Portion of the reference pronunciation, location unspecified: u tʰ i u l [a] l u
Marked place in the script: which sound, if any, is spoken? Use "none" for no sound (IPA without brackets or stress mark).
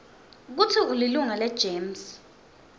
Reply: i